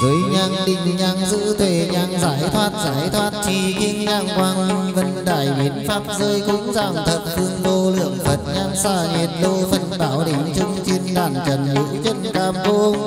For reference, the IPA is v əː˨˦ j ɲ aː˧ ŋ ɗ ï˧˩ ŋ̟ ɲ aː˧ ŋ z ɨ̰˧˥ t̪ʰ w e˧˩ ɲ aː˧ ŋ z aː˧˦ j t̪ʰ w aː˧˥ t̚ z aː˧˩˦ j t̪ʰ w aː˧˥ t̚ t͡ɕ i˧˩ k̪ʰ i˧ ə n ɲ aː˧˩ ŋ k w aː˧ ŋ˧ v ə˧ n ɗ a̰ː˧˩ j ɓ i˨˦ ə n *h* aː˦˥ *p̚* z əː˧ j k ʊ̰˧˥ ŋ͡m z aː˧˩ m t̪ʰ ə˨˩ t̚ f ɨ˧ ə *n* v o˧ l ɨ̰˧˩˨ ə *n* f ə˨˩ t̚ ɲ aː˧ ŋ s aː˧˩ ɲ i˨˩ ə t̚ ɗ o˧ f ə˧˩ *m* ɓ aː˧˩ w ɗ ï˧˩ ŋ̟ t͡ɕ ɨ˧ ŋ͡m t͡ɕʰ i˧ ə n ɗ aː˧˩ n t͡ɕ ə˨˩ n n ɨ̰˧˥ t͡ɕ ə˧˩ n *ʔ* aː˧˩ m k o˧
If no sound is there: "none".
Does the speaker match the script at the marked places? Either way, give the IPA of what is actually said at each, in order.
f, p̚, ŋ, ŋ, n, k

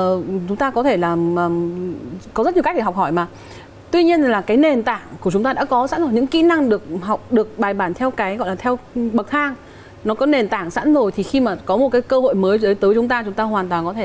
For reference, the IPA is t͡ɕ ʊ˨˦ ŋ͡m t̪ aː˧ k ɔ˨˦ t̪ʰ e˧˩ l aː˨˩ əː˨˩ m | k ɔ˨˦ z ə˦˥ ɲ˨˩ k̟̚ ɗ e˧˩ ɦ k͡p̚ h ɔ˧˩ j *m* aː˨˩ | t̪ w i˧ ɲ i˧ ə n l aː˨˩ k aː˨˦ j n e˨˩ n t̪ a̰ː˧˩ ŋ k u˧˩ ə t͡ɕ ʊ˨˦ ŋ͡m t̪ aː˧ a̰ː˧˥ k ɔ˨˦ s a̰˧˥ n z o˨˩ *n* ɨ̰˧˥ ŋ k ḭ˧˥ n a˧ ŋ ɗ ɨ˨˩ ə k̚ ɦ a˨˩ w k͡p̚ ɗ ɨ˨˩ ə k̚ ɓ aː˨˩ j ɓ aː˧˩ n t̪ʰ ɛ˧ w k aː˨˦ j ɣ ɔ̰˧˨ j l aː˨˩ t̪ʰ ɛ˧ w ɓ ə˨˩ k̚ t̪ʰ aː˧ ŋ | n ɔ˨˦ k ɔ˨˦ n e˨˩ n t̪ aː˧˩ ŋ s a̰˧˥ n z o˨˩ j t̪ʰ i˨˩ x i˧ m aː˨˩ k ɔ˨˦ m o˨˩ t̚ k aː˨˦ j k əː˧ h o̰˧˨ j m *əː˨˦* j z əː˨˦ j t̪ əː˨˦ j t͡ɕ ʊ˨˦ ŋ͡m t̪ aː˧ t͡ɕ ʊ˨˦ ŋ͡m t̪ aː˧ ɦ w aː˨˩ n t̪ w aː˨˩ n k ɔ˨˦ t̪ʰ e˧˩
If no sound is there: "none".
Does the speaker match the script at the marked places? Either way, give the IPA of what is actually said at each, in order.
m, ɲ, əː˨˦

